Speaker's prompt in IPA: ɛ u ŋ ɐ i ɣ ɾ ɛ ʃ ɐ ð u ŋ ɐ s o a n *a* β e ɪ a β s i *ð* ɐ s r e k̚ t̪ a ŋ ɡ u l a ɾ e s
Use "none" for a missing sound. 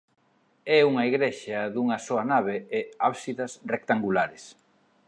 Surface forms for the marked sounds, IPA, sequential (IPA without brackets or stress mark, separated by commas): a, ð